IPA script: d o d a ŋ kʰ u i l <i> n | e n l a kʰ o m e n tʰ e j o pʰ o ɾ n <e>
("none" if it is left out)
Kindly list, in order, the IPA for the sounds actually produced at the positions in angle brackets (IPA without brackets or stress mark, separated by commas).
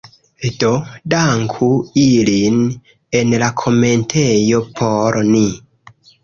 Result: i, i